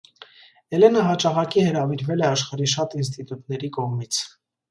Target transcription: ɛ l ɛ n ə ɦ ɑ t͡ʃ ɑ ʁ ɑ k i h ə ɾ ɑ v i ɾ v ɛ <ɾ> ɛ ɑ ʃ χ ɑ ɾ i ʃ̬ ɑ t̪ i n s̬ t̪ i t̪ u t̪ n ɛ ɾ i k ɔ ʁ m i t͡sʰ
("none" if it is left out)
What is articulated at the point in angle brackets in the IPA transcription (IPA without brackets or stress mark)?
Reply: l